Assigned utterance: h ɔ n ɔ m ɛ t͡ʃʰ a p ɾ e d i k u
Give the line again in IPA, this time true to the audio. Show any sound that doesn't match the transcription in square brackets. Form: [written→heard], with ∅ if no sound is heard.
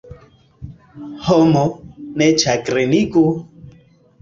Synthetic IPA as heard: h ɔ [n→m] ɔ [m→n] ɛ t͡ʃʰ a [p→k] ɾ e [d→n] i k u